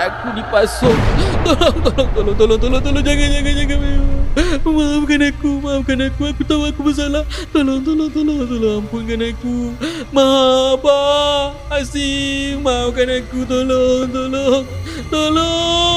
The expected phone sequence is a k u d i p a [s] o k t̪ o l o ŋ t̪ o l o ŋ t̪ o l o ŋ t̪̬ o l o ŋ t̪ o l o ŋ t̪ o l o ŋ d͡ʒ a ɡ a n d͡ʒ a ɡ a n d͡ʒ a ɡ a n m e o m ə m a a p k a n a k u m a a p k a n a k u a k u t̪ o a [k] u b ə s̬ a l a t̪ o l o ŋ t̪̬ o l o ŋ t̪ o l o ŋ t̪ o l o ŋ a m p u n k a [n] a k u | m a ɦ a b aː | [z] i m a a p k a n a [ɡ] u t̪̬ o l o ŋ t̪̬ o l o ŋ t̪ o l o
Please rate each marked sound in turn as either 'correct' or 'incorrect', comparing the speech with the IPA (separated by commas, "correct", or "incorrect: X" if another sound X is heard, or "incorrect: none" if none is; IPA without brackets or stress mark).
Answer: correct, correct, correct, incorrect: s, incorrect: k